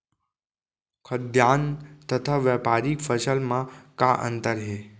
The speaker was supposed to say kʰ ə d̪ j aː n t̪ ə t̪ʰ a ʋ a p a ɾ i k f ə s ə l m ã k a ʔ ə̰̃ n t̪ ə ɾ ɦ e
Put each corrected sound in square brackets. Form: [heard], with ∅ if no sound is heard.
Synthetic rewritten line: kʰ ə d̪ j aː n t̪ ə t̪ʰ a ʋ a p a ɾ i k f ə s ə l m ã k a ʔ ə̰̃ n t̪ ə ɾ ɦ e